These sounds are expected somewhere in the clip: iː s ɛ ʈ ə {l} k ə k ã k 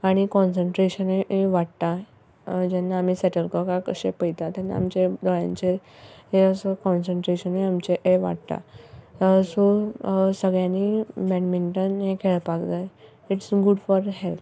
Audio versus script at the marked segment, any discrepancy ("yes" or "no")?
no